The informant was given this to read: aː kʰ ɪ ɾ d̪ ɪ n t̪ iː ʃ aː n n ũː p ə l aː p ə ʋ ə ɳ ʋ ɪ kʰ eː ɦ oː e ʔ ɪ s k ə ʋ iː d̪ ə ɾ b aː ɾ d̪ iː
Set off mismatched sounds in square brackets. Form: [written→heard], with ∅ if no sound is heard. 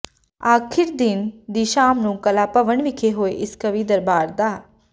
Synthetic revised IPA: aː kʰ ɪ ɾ d̪ ɪ n [t̪→d̪] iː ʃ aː [n→m] n ũː [p→k] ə l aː p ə ʋ ə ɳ ʋ ɪ kʰ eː ɦ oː e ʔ ɪ s k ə ʋ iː d̪ ə ɾ b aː ɾ d̪ [iː→aː]

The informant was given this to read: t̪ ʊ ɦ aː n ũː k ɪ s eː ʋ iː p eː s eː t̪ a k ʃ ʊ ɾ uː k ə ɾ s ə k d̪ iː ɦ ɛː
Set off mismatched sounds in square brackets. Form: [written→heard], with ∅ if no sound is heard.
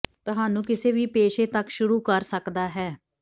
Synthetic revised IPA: t̪ ʊ ɦ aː n ũː k ɪ s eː ʋ iː p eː [s→ʃ] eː t̪ [a→ə] k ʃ ʊ ɾ uː k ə ɾ s ə k d̪ [iː→aː] ɦ ɛː

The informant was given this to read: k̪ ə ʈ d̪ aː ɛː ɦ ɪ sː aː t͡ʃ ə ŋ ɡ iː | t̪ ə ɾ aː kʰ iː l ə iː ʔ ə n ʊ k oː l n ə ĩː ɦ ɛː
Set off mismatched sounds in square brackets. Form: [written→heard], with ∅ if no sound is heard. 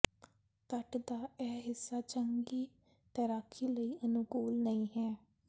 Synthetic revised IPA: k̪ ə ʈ d̪ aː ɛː ɦ ɪ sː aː t͡ʃ ə ŋ ɡ iː | t̪ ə ɾ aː kʰ iː l ə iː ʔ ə n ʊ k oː l n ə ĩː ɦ ɛː

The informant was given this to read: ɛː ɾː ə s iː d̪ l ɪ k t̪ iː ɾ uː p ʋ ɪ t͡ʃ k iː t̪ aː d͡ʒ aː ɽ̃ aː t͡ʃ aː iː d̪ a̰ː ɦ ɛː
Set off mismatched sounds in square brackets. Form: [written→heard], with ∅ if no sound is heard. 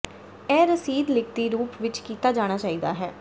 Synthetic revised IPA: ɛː [ɾː→ɾ] ə s iː d̪ l ɪ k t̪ iː ɾ uː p ʋ ɪ t͡ʃ k iː t̪ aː d͡ʒ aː ɽ̃ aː t͡ʃ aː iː d̪ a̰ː ɦ ɛː

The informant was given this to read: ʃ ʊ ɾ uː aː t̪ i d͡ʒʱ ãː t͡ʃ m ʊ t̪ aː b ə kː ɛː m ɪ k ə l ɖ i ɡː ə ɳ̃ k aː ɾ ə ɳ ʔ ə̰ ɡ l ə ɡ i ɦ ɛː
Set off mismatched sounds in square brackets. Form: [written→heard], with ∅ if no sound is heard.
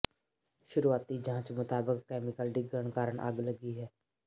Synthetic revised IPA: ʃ ʊ ɾ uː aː t̪ i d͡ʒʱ ãː t͡ʃ m ʊ t̪ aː b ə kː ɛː m ɪ k ə l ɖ [i→ɪ] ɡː ə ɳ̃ k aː ɾ ə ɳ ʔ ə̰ ɡ l ə ɡ i ɦ ɛː

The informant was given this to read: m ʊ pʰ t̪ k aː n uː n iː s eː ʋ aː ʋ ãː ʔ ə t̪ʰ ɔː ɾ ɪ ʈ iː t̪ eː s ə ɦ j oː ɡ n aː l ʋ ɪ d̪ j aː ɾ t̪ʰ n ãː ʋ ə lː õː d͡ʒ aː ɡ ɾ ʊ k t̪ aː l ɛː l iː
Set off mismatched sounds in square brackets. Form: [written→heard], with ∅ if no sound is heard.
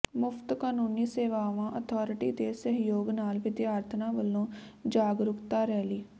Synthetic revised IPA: m ʊ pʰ t̪ k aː n uː n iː s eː ʋ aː ʋ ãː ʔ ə t̪ʰ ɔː ɾ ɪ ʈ iː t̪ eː s ə ɦ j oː ɡ n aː l ʋ ɪ d̪ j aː ɾ t̪ʰ n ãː ʋ ə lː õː d͡ʒ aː ɡ ɾ ʊ k t̪ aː [l→ɾ] ɛː l iː

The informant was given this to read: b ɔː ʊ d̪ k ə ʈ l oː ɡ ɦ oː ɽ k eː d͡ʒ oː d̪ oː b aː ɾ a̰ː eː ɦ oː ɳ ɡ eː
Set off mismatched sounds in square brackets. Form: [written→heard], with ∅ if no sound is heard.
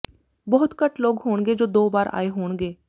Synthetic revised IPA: b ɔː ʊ [d̪→t̪] k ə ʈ l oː ɡ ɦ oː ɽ [k→ɡ] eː d͡ʒ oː d̪ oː b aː ɾ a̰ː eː ɦ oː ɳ ɡ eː

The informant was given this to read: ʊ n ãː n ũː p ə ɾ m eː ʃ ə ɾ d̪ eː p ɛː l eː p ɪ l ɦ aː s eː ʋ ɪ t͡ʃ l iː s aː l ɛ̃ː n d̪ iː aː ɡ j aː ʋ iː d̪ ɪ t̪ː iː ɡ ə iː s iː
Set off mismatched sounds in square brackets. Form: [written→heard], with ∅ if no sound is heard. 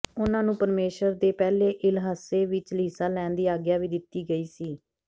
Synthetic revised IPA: ʊ n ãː n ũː p ə ɾ m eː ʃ ə ɾ d̪ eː p ɛː l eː [p→ʔ] ɪ l ɦ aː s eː ʋ ɪ t͡ʃ l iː s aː l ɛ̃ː n d̪ iː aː ɡ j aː ʋ iː d̪ ɪ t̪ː iː ɡ ə iː s iː

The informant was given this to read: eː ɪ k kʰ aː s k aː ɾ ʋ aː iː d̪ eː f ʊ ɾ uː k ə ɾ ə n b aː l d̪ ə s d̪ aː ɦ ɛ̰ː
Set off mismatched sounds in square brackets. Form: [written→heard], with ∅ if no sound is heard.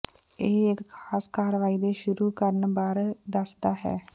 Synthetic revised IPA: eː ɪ k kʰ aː s k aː ɾ ʋ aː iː d̪ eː [f→ʃ] ʊ ɾ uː k ə ɾ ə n b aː [l→ɾ] d̪ ə s d̪ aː ɦ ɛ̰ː

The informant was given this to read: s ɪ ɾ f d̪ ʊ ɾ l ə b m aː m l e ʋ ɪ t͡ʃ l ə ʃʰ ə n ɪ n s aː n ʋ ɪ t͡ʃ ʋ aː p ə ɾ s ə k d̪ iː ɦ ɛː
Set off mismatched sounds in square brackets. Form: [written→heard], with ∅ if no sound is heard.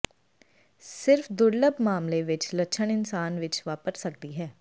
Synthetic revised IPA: s ɪ ɾ f d̪ ʊ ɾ l ə b m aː m l e ʋ ɪ t͡ʃ l ə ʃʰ ə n ɪ n s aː n ʋ ɪ t͡ʃ ʋ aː p ə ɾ s ə k d̪ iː ɦ ɛː

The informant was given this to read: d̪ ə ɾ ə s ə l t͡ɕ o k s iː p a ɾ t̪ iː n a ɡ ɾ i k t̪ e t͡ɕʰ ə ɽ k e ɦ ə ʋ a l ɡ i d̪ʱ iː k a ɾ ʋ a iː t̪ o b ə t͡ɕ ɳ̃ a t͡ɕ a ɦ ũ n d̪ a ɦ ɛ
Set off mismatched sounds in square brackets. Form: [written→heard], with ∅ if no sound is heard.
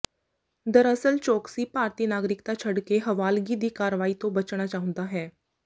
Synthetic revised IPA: d̪ ə ɾ ə s ə l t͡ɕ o k s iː p a ɾ t̪ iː n a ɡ ɾ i k t̪ [e→a] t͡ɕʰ ə ɽ k e ɦ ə ʋ a l ɡ i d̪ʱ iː k a ɾ ʋ a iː t̪ o b ə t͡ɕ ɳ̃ a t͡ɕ a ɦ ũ n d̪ a ɦ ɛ

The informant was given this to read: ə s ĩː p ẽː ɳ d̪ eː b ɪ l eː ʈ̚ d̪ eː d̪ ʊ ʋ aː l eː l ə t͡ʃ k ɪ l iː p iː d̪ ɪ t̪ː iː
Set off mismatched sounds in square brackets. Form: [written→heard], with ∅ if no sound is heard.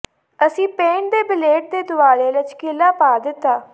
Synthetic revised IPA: ə s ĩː p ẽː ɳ d̪ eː b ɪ l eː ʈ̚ d̪ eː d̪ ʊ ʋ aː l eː l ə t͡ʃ k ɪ l [iː→aː] p [iː→aː] d̪ ɪ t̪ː [iː→aː]

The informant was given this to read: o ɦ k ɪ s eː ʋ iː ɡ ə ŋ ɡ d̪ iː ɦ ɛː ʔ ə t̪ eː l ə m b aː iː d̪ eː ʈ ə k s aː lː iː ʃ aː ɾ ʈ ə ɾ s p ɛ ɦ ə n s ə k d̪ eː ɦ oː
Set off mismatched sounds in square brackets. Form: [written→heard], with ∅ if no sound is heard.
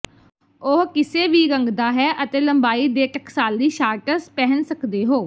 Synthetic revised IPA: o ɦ k ɪ s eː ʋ iː ɡ ə ŋ ɡ d̪ [iː→aː] ɦ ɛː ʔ ə t̪ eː l ə m b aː iː d̪ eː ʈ ə k s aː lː iː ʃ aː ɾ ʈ ə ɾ s p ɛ ɦ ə n s ə k d̪ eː ɦ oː

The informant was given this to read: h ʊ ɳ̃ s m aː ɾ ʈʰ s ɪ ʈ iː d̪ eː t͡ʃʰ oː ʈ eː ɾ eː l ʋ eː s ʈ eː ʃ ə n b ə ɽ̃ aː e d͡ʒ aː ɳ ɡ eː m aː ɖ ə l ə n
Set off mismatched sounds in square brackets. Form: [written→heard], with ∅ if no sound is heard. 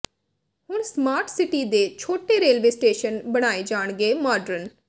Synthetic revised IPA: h ʊ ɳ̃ s m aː ɾ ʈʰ s ɪ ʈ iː d̪ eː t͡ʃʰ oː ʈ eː ɾ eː l ʋ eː s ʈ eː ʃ ə n b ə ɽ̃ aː e d͡ʒ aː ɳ ɡ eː m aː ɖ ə [l→ɾ] ə n

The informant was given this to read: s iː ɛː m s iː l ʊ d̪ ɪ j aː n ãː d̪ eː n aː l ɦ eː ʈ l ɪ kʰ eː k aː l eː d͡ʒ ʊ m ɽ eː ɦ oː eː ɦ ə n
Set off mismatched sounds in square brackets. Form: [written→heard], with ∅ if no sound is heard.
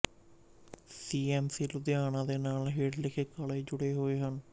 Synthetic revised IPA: s iː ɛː m s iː l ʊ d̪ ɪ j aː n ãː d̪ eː n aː l ɦ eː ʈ l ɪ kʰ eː k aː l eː d͡ʒ ʊ [m→∅] ɽ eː ɦ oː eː ɦ ə n

